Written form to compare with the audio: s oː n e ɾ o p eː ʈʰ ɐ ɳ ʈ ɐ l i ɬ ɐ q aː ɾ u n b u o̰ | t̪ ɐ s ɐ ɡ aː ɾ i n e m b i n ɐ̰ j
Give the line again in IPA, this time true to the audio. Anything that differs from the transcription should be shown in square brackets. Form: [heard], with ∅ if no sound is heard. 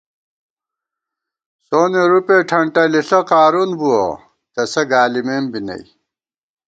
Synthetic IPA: s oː n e ɾ [u] p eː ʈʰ ɐ ɳ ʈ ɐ l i ɬ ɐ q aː ɾ u n b u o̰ | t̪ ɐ s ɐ ɡ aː [l] i [m] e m b i n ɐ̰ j

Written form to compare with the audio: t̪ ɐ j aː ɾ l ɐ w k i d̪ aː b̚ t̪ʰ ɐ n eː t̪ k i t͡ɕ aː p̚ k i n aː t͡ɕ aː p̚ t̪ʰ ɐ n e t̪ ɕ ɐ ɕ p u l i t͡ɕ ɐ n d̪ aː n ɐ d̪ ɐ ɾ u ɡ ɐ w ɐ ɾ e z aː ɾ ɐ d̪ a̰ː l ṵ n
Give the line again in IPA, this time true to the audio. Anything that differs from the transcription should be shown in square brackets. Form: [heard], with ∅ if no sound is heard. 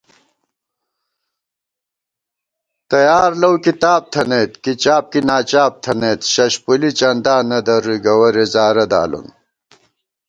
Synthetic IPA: t̪ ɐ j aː ɾ l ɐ w k i [t̪] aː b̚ t̪ʰ ɐ n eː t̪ k i t͡ɕ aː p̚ k i n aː t͡ɕ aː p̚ t̪ʰ ɐ n e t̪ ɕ ɐ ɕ p u l i t͡ɕ ɐ n d̪ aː n ɐ d̪ ɐ ɾ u ɡ ɐ w ɐ ɾ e z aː ɾ ɐ d̪ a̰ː l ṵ n

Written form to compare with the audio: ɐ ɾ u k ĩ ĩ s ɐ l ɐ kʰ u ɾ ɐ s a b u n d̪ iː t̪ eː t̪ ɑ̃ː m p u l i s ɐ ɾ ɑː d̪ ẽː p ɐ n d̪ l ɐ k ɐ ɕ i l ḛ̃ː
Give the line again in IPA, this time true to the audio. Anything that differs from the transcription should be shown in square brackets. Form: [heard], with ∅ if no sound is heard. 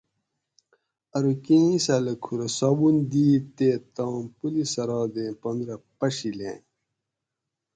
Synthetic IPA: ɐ ɾ u k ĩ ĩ s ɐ l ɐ kʰ u ɾ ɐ s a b u n d̪ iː t̪ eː t̪ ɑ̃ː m p u l i s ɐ ɾ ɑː d̪ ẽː p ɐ n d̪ [ɾ] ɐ [p] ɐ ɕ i l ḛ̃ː

